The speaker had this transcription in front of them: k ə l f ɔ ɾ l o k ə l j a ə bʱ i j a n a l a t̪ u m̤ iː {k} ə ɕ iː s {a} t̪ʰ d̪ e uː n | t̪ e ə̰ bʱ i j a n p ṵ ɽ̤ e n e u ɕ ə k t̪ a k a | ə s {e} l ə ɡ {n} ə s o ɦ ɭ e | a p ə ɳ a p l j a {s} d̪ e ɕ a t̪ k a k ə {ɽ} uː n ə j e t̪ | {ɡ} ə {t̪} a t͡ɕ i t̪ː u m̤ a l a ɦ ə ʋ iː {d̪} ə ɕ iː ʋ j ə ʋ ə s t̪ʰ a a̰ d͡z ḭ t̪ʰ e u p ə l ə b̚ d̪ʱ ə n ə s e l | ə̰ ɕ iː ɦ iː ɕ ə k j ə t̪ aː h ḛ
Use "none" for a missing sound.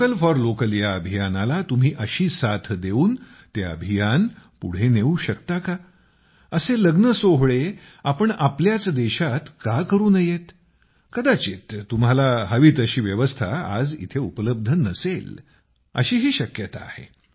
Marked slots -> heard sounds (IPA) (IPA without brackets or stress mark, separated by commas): ʔ, a, e, n, t͡s, ɾ, k, d̪, t̪